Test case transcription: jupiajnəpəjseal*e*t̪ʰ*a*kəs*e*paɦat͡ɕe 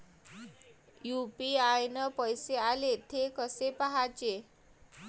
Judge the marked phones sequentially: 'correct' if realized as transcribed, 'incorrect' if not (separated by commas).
correct, incorrect, correct